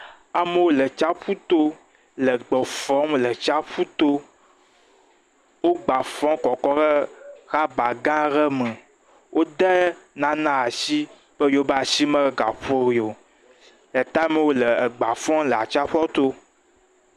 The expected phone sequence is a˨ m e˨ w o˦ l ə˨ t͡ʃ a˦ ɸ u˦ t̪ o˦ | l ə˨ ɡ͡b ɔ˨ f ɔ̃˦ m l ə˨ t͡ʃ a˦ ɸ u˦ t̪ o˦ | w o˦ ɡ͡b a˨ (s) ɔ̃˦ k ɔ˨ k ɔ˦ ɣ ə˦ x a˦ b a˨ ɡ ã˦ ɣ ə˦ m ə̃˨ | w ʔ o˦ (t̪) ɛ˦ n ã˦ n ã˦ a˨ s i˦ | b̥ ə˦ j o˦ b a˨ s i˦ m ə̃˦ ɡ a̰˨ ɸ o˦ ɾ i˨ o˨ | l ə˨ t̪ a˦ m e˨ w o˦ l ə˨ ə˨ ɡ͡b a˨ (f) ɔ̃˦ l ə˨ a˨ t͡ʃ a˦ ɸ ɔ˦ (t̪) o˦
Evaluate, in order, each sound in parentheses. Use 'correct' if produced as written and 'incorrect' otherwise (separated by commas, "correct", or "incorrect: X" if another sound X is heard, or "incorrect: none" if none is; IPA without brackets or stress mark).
incorrect: f, incorrect: d̪, correct, correct